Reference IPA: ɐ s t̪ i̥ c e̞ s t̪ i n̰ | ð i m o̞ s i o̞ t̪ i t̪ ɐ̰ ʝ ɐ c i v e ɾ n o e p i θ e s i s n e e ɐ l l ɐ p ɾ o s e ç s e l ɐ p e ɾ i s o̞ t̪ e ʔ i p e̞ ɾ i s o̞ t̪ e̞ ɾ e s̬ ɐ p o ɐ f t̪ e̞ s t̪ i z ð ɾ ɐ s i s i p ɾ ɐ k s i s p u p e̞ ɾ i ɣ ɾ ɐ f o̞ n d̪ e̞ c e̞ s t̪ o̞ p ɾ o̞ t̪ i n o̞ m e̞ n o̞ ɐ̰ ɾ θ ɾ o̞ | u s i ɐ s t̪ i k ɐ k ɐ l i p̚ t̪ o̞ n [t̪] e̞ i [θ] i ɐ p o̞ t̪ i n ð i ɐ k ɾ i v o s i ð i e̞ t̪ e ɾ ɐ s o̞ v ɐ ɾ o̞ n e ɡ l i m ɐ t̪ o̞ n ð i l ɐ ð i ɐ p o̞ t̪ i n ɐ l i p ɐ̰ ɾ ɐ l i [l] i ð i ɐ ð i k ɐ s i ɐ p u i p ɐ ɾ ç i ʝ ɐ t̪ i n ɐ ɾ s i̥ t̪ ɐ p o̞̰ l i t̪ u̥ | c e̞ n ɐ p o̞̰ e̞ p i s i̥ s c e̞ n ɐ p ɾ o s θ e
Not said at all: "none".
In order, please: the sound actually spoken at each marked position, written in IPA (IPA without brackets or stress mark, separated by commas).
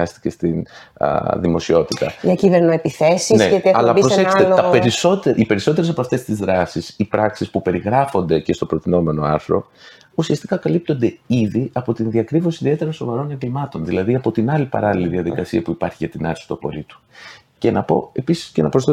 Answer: d̪, ð, l